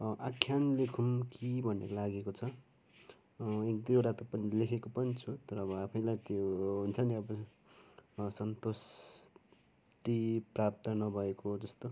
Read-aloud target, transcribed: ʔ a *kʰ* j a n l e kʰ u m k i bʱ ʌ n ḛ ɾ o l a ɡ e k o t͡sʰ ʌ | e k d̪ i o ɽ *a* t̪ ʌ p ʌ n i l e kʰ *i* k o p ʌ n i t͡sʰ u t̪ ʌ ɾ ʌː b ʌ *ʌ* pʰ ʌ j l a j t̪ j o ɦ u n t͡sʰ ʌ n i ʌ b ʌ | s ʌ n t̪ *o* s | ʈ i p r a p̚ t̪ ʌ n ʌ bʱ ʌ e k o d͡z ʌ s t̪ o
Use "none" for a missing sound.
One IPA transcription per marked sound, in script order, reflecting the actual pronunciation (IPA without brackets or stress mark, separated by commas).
kʰ, a, e, a, o